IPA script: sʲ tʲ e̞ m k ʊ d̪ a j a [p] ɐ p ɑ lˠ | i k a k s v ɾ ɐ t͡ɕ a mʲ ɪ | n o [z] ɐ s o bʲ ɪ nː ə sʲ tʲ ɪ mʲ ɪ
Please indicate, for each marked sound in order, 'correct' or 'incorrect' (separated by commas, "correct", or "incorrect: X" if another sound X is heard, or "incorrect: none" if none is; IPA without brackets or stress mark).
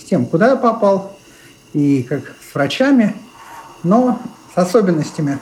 correct, incorrect: s